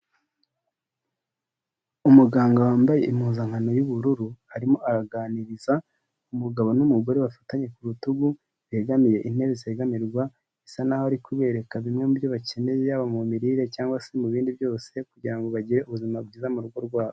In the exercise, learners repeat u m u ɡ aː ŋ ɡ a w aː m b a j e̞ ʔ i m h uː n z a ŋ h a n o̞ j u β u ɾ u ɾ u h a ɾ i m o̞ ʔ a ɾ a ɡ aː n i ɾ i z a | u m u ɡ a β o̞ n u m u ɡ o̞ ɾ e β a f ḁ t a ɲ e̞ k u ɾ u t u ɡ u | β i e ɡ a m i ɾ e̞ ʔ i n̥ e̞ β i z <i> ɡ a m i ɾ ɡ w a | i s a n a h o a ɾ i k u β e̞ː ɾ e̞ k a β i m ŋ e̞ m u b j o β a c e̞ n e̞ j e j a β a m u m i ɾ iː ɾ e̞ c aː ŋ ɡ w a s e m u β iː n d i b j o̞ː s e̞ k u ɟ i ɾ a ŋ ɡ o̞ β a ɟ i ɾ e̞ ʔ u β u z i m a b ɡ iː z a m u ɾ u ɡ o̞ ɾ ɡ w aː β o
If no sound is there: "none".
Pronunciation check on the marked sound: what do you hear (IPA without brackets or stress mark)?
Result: e